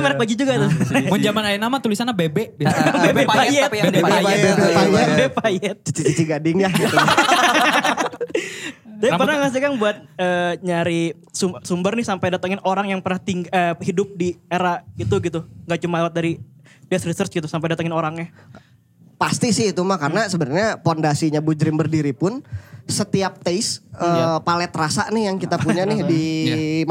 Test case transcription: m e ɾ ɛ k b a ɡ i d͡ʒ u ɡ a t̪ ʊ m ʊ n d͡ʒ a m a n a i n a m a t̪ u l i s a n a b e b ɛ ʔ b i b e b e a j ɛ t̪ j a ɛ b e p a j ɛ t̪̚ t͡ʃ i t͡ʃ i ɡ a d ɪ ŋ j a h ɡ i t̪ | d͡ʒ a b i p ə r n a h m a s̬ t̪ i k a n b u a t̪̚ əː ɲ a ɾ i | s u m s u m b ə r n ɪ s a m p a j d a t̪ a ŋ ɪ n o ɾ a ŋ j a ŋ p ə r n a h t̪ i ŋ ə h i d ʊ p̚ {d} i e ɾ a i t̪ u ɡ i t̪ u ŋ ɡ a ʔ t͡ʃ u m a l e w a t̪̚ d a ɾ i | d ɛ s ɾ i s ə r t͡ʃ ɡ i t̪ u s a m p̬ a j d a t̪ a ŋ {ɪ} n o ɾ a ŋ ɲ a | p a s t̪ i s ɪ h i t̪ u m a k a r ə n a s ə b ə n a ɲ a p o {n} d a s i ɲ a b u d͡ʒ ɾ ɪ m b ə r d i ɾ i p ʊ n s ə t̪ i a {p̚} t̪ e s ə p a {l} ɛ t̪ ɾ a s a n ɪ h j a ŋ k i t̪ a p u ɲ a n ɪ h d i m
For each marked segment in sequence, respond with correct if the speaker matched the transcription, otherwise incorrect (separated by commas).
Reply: correct, correct, correct, correct, correct